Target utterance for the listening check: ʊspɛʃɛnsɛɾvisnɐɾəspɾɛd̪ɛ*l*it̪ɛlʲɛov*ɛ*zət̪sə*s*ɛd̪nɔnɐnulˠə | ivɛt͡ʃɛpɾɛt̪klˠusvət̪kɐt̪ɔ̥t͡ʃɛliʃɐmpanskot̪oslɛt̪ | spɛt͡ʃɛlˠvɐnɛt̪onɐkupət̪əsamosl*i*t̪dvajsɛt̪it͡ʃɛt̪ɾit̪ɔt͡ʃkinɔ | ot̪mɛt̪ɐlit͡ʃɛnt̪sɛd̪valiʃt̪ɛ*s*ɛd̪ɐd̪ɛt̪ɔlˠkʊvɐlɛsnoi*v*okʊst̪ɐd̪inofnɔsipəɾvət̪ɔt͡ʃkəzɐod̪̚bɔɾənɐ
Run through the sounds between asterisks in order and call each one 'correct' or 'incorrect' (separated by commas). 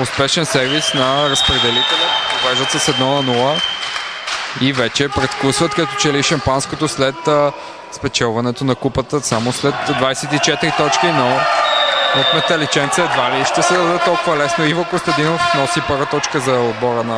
correct, correct, correct, incorrect, correct, correct